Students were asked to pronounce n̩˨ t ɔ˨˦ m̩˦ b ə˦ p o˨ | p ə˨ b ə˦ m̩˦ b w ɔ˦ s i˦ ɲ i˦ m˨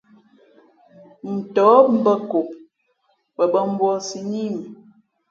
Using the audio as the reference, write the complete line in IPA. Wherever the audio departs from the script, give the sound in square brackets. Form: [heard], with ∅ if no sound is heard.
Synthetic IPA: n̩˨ t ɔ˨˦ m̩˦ b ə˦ [k] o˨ | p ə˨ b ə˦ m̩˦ b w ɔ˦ s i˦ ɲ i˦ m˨